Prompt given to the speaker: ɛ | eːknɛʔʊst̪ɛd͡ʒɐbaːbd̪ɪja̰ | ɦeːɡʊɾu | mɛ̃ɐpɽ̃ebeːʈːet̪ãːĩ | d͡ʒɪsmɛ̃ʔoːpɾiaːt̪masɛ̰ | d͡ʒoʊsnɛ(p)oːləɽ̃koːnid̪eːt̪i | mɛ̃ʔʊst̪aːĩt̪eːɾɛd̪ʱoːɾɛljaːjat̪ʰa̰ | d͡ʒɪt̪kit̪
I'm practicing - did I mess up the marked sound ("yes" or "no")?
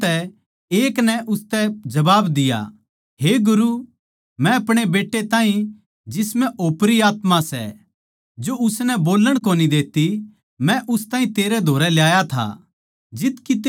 yes